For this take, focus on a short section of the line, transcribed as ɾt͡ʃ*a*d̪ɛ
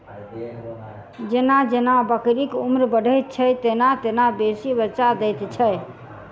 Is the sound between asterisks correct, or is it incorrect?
correct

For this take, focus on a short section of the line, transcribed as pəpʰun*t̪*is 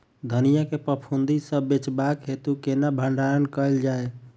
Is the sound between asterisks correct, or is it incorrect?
incorrect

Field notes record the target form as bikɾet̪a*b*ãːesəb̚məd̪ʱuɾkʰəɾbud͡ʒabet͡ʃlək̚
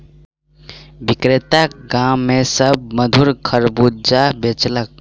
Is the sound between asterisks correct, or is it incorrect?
incorrect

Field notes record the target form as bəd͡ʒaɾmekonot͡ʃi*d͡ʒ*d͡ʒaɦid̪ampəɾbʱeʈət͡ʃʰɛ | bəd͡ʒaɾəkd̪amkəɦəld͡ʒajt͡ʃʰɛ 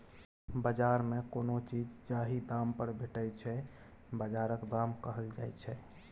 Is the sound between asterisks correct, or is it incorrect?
correct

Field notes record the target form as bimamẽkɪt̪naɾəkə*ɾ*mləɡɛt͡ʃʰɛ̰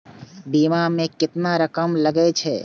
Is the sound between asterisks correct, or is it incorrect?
incorrect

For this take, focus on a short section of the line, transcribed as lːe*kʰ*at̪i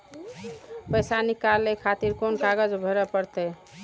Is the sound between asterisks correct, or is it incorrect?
correct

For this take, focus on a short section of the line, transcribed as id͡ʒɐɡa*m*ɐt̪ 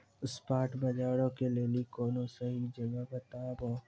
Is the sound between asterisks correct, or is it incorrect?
incorrect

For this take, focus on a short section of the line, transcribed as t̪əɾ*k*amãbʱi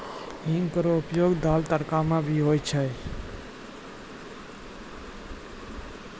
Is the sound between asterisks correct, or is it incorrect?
correct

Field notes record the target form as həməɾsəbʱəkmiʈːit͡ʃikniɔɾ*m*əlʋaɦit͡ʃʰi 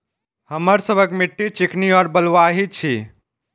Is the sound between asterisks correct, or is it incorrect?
incorrect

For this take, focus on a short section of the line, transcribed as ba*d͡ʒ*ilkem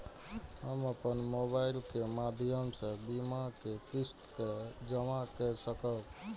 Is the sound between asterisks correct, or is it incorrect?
incorrect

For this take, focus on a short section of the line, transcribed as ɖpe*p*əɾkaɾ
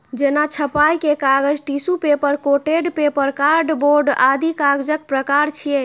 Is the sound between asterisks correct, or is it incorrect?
correct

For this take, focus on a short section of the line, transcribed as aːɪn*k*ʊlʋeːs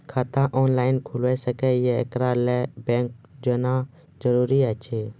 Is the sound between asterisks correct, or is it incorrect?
incorrect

